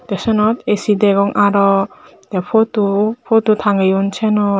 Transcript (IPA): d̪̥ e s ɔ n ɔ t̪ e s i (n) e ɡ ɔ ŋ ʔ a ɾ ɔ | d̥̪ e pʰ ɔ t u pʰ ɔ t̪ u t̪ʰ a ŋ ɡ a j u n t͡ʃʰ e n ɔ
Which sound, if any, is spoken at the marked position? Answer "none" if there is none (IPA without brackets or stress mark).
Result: d